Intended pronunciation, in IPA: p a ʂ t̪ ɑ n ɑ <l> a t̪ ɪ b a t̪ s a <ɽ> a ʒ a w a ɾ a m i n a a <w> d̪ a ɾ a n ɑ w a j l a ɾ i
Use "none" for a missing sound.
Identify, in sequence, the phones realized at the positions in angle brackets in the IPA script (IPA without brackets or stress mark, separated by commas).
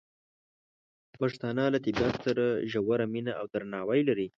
l, ɾ, w